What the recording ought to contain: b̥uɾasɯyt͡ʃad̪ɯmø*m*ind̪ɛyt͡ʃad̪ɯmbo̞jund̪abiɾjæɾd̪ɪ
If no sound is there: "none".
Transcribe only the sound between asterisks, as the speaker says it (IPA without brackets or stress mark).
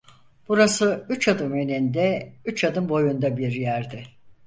n